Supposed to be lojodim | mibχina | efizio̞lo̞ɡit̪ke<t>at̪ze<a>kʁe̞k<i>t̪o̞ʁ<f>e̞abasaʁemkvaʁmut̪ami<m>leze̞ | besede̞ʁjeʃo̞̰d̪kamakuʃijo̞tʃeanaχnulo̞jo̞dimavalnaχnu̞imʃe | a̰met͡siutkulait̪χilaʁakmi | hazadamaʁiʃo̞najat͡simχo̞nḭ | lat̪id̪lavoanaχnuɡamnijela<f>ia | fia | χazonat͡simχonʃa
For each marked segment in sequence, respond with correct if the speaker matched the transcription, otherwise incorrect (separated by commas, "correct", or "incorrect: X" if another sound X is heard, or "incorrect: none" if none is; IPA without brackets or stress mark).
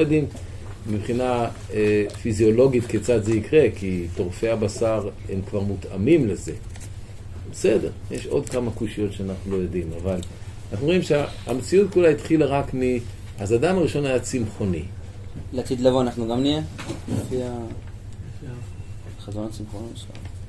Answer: incorrect: t͡s, incorrect: i, correct, correct, correct, correct